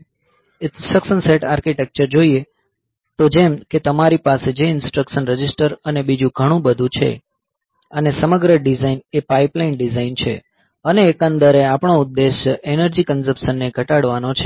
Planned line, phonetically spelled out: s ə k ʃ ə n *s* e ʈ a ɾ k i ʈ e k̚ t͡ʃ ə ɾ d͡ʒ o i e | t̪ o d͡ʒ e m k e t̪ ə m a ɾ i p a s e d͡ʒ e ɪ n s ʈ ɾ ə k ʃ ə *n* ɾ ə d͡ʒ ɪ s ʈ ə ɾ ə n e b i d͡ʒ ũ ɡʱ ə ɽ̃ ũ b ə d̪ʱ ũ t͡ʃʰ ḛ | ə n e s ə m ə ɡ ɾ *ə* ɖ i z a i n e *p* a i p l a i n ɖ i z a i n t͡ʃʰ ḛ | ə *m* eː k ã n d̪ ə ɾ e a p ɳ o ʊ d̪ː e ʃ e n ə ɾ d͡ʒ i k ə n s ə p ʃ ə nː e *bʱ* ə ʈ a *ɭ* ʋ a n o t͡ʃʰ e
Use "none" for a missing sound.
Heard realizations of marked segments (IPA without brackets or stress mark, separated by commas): s, n, ə, p, n, ɡʱ, ɽ